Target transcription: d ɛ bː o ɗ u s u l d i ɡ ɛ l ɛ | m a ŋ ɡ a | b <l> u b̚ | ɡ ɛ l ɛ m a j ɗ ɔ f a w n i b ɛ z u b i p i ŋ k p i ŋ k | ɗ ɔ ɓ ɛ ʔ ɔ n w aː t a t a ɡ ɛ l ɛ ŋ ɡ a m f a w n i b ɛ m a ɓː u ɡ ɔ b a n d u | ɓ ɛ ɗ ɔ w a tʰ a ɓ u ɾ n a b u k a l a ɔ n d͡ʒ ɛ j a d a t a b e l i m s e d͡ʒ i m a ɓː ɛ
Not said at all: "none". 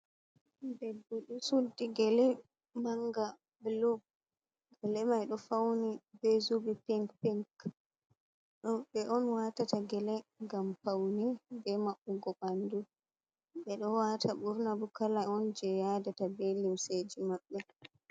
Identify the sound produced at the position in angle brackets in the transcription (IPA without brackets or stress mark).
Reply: l